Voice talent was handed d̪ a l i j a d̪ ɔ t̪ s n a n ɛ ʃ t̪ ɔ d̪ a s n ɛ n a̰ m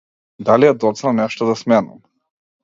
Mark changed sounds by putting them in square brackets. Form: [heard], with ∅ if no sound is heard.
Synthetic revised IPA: d̪ a l i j a d̪ ɔ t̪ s n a n ɛ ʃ t̪ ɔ d̪ a s [m] ɛ n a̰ m